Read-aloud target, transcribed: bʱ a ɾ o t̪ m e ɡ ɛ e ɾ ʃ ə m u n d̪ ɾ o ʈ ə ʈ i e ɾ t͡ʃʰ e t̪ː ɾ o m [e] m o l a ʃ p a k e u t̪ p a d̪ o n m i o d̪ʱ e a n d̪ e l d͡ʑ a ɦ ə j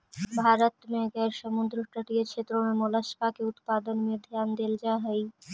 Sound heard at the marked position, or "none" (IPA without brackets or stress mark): e